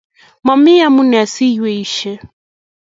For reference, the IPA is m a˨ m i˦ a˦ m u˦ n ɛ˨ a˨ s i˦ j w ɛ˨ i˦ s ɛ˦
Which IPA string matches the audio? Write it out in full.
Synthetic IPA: m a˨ m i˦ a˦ m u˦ n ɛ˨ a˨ s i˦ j w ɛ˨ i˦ ʃ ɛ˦